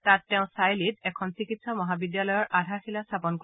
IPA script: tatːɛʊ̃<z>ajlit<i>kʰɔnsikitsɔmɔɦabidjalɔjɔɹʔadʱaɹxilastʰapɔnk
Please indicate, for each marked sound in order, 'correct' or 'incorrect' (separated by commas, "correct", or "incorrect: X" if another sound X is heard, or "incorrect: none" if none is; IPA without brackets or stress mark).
incorrect: s, incorrect: ɛ